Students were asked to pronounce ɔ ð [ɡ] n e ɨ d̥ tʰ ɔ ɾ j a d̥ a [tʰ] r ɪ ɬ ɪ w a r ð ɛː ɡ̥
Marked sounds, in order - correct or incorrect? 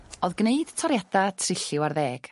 correct, correct

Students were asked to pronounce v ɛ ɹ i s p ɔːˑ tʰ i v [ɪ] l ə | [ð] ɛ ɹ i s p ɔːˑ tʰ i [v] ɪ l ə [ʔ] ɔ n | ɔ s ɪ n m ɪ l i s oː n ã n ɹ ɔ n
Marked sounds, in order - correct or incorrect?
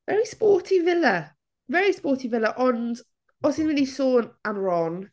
correct, incorrect, correct, correct

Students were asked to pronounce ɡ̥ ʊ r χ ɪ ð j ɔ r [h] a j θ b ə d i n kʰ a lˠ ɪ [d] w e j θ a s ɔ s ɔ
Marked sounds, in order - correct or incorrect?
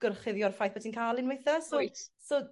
incorrect, incorrect

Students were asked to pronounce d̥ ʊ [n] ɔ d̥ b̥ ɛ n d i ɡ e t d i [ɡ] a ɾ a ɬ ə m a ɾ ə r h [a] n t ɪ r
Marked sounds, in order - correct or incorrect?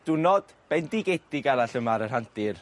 correct, correct, correct

